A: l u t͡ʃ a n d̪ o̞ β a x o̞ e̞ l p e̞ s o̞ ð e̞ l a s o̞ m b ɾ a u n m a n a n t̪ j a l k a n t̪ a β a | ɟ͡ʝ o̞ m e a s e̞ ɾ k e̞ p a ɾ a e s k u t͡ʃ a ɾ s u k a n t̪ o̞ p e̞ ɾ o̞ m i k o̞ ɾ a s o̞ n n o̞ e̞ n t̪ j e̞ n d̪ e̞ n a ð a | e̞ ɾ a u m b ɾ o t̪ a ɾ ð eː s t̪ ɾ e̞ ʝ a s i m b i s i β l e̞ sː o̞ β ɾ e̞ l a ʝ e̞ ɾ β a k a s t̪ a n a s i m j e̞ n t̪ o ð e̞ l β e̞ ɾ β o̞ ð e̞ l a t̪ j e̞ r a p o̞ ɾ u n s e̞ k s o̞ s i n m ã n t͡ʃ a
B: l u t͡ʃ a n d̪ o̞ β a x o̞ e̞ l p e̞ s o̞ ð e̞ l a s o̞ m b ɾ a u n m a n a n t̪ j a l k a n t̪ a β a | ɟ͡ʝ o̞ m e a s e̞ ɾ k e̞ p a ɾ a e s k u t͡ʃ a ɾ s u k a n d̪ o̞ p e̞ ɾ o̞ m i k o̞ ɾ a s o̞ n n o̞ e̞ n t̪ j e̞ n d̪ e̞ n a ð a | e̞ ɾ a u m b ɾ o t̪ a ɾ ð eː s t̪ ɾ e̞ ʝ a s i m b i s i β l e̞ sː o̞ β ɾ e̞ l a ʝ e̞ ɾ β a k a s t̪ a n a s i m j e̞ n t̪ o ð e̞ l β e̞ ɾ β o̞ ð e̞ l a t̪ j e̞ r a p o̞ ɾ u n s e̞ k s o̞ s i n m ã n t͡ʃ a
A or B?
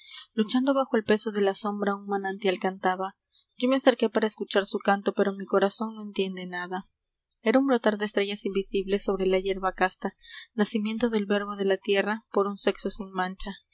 A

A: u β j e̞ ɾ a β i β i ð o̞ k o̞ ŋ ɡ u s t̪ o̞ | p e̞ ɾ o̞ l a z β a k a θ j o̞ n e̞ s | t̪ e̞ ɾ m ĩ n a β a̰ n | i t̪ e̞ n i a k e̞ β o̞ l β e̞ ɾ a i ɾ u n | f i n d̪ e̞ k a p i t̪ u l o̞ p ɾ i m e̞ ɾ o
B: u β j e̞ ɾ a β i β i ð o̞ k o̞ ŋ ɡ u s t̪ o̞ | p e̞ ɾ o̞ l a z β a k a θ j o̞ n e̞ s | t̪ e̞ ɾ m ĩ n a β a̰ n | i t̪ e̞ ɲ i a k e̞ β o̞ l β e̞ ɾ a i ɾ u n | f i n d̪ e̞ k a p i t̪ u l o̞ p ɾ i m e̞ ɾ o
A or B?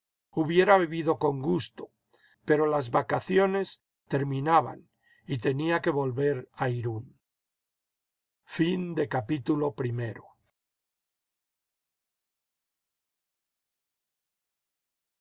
A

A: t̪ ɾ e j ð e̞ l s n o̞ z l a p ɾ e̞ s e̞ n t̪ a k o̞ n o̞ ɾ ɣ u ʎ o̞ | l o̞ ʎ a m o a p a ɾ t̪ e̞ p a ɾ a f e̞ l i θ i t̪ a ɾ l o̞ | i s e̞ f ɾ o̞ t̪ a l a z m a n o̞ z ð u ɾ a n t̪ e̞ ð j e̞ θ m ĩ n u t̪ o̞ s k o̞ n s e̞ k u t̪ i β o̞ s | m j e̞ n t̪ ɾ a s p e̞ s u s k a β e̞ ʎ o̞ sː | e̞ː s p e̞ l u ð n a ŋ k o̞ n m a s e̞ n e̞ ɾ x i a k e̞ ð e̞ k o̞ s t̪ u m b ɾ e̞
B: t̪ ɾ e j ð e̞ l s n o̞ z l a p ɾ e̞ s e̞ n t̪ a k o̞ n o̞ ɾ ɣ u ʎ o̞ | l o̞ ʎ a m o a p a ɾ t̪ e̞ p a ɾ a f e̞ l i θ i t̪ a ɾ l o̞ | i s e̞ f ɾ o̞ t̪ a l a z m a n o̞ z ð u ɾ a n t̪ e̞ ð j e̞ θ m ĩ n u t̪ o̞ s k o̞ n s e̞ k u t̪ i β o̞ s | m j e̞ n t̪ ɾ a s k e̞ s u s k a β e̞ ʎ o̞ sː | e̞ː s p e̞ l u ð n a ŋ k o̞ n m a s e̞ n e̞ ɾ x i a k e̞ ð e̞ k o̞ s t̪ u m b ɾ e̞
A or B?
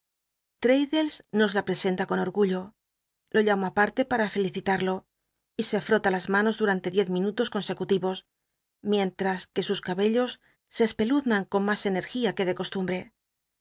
B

